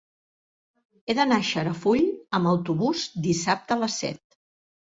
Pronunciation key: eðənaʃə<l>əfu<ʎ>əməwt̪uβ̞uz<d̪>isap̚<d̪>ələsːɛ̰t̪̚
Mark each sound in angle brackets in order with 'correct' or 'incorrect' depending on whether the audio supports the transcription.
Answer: incorrect, correct, correct, incorrect

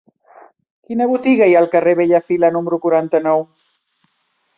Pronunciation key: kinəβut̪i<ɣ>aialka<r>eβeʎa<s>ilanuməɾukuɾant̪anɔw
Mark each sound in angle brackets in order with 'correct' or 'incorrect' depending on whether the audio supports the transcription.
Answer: correct, correct, incorrect

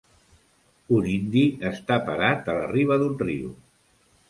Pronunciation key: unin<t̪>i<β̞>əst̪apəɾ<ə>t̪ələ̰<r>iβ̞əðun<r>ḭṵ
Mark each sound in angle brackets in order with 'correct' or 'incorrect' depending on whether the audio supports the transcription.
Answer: incorrect, incorrect, incorrect, correct, correct

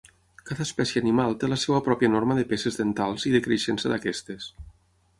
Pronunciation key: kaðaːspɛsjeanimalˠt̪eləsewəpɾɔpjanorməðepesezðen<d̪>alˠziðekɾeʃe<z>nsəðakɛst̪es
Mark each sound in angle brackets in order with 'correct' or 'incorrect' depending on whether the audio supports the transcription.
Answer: incorrect, incorrect

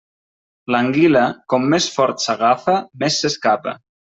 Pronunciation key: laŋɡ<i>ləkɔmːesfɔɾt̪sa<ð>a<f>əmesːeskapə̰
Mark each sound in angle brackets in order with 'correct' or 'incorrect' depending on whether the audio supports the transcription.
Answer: correct, incorrect, correct

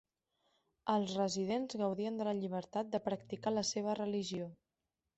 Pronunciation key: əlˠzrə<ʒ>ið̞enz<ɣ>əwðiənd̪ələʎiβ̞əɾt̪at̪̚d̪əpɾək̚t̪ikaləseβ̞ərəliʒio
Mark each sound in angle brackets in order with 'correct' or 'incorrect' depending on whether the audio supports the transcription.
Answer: incorrect, correct

